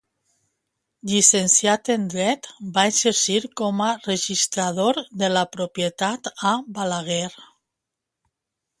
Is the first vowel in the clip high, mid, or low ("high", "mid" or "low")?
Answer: high